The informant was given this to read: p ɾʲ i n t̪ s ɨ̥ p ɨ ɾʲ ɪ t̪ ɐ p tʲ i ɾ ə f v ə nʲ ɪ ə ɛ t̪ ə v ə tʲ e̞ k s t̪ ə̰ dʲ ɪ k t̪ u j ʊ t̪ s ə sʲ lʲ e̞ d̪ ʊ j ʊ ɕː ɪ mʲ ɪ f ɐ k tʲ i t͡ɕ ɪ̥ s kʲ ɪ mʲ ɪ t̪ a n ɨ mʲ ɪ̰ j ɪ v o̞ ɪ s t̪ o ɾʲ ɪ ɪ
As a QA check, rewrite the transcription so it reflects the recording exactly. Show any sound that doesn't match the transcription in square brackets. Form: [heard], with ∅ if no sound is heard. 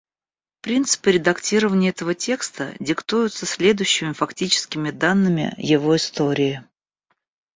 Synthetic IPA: p ɾʲ i n t̪ s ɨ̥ p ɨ ɾʲ ɪ [d̪] ɐ [k] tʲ i ɾ ə [∅] v ə nʲ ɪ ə ɛ t̪ ə v ə tʲ e̞ k s t̪ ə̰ dʲ ɪ k t̪ u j ʊ t̪ s ə sʲ lʲ e̞ d̪ ʊ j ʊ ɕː ɪ mʲ ɪ f ɐ k tʲ i t͡ɕ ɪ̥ s kʲ ɪ mʲ ɪ [d̪] a [nː] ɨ mʲ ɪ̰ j ɪ v o̞ ɪ s t̪ o ɾʲ ɪ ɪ